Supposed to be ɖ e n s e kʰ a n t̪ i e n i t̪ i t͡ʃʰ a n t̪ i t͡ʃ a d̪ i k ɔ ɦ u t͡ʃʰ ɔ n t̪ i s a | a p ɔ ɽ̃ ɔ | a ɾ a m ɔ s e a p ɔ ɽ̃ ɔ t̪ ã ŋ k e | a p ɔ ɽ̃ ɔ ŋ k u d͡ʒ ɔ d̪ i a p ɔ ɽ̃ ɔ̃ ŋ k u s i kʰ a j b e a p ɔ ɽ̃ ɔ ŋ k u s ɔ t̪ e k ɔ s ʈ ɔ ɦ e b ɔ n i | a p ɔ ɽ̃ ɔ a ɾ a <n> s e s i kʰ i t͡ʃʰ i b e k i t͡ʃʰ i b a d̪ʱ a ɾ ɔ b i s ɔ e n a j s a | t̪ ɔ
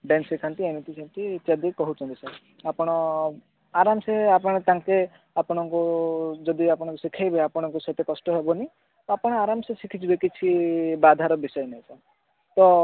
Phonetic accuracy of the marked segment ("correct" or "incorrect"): incorrect